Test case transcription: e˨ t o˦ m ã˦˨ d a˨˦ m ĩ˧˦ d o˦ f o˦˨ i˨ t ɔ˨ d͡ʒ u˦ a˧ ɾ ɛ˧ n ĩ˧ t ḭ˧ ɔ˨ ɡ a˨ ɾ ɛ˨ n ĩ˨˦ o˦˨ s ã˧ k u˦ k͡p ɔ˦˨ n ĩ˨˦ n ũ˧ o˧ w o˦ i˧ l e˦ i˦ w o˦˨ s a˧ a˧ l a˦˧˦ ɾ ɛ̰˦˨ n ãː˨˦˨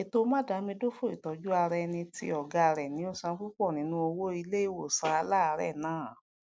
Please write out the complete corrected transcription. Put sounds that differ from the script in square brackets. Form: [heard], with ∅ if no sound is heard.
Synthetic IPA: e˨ t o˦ m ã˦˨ d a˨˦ m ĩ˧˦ d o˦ f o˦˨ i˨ t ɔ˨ d͡ʒ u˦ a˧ ɾ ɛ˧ n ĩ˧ t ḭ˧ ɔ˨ ɡ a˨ ɾ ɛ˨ n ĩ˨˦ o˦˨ s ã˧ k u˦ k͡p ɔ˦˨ n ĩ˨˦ n ũ˧ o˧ w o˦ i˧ l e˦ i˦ w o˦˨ s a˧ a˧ l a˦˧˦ ɾ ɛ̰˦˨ n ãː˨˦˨